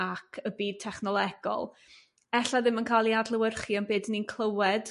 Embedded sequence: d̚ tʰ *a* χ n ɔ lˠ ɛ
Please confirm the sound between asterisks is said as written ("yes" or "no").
no